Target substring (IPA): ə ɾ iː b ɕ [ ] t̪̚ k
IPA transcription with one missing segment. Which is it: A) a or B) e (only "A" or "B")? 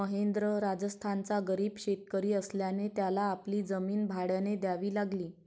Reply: B